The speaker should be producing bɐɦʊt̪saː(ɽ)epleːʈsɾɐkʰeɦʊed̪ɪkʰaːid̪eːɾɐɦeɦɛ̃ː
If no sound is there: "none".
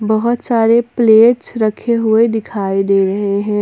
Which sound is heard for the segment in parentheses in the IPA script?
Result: ɾ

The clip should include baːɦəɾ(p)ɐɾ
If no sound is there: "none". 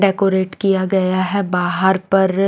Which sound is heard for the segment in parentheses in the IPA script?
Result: p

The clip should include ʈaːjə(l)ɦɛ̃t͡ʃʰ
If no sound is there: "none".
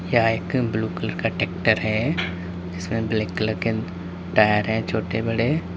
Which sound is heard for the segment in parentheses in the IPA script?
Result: ɾ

